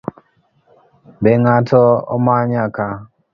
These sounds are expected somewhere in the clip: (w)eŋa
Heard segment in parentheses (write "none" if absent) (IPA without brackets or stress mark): b